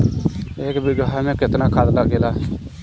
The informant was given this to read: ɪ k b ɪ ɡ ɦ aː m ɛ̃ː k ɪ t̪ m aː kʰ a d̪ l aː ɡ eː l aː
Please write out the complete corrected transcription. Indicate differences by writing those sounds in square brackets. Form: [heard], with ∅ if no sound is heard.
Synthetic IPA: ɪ k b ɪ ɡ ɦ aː m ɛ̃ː k ɪ t̪ [n] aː kʰ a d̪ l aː ɡ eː l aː